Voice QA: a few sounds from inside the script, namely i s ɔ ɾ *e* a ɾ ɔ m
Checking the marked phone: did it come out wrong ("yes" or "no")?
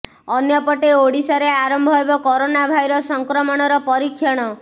no